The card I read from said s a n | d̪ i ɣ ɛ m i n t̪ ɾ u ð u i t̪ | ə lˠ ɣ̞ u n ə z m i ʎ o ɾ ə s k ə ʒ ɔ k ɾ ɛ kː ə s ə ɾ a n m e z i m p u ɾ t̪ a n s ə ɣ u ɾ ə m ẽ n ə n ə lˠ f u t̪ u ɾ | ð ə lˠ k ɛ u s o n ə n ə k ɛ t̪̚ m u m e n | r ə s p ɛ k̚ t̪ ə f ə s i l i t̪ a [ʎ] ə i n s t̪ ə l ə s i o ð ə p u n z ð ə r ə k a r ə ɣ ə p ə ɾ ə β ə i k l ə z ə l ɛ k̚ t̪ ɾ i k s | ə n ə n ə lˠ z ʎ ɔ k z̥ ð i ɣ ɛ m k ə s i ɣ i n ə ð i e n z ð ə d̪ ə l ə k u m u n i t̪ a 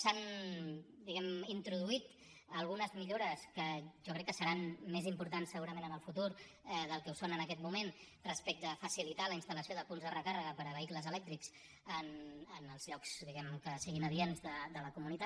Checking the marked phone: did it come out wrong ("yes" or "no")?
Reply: yes